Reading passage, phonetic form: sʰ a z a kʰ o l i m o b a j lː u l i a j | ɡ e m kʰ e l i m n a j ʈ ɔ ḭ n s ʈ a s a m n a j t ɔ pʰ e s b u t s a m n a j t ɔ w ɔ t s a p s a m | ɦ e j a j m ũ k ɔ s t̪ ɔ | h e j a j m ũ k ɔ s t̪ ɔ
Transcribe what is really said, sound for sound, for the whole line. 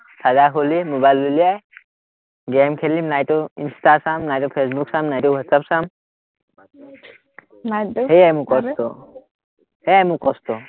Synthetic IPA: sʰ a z a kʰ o l i m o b a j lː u l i a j | ɡ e m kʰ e l i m n a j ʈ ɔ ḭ n s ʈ a s a m n a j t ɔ pʰ e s b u k s a m n a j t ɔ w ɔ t s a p s a m | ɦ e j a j m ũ k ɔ s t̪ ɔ | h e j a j m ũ k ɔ s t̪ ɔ